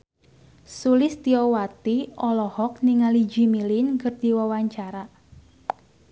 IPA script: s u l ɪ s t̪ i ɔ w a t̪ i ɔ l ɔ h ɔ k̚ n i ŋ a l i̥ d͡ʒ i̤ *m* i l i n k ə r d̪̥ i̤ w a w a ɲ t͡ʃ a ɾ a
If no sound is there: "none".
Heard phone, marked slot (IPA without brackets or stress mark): m